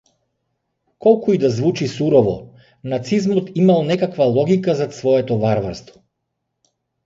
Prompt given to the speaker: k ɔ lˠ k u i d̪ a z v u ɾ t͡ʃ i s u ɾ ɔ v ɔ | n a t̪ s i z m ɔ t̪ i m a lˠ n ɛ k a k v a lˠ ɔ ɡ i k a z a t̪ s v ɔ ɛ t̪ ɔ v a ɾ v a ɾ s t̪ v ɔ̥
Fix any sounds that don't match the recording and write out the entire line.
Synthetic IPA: k ɔ lˠ k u i d̪ a z v u t͡ʃ i s u ɾ ɔ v ɔ | n a t̪ s i z m ɔ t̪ i m a lˠ n ɛ k a k v a lˠ ɔ ɡ i k a z a t̪ s v ɔ ɛ t̪ ɔ v a ɾ v a ɾ s t̪ v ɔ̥